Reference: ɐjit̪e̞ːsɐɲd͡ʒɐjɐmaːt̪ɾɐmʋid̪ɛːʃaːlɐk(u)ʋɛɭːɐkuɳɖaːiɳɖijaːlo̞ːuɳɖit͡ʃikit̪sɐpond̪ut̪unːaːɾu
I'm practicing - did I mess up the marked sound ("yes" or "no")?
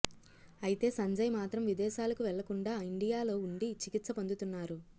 no